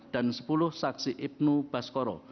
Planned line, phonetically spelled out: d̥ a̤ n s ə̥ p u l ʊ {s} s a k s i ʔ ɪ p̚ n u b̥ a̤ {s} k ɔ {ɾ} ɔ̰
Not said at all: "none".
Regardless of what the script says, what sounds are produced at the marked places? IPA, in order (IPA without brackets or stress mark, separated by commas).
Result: h, s, ɾ